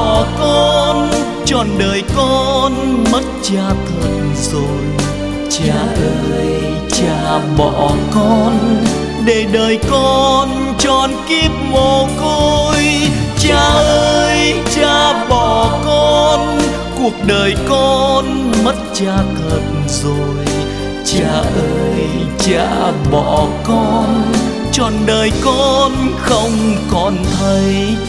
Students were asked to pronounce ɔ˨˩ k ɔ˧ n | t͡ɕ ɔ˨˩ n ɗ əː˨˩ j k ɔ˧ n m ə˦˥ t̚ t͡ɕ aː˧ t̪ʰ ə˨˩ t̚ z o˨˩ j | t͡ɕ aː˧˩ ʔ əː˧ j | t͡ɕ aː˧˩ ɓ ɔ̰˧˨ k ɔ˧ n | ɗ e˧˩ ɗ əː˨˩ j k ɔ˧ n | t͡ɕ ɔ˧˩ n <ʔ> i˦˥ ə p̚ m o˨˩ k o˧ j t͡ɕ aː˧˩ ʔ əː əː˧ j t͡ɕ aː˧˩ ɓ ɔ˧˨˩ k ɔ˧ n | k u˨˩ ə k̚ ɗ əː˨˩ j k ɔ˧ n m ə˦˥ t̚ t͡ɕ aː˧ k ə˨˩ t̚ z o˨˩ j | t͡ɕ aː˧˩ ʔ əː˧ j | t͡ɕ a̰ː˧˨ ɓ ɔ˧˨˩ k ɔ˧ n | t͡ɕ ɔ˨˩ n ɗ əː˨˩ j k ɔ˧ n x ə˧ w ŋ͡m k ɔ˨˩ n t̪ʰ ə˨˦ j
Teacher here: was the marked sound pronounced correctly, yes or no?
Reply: no